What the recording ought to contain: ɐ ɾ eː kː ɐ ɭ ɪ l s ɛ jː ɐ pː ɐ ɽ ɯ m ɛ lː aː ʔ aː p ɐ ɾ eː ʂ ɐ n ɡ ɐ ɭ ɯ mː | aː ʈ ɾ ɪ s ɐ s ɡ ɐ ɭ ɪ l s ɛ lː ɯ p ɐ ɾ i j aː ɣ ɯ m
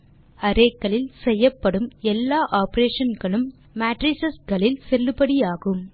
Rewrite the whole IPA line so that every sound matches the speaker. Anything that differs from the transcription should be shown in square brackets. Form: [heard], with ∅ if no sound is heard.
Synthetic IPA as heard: ɐ ɾ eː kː ɐ ɭ ɪ l s ɛ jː ɐ pː ɐ ɽ ɯ m ɛ lː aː ʔ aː p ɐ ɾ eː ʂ ɐ n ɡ ɐ ɭ ɯ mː | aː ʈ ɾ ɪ s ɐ s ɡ ɐ ɭ ɪ l s ɛ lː ɯ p ɐ [ɽ] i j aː ɣ ɯ m